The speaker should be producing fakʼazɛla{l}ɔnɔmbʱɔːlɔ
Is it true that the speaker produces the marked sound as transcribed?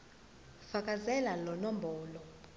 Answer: yes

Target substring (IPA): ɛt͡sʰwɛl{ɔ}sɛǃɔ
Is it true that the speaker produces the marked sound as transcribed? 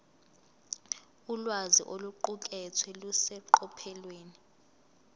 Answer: no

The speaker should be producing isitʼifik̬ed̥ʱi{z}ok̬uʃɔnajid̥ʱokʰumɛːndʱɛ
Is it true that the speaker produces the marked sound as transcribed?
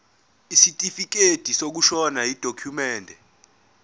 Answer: no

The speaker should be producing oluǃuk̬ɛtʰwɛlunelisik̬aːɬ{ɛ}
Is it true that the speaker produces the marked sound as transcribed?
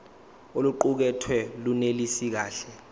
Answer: yes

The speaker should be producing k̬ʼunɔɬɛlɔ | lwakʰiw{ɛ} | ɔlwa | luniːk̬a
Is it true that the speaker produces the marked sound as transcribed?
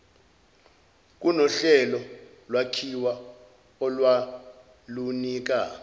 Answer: no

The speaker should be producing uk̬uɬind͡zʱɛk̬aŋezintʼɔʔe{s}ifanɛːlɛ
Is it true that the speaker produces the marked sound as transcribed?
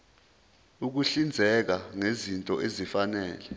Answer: no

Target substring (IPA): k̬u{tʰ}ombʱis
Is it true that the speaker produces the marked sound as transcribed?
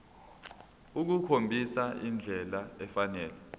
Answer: no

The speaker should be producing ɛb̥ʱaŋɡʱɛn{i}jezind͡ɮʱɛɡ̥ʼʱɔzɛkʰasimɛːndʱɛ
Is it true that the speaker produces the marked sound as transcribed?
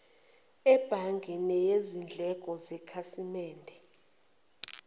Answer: no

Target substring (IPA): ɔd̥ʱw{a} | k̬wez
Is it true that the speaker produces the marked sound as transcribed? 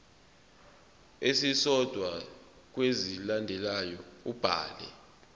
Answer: yes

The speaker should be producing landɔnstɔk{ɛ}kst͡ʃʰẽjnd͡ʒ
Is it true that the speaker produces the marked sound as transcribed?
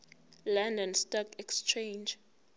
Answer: yes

